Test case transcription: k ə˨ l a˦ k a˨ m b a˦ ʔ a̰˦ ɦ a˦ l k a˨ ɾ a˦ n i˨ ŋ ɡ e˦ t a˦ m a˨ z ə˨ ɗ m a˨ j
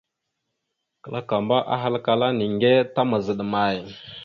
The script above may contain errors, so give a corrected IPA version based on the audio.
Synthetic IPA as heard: k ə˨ l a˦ k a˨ m b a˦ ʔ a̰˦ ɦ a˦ l k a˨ l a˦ n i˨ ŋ ɡ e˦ t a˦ m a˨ z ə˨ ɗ m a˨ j